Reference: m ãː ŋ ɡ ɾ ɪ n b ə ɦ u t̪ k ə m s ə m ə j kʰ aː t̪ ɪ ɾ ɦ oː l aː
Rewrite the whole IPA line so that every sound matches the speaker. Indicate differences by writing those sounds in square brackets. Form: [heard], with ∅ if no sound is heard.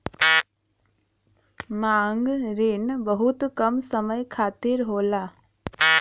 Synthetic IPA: m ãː ŋ ɡ ɾ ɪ n b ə ɦ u t̪ k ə m s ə m ə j kʰ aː t̪ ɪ ɾ ɦ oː l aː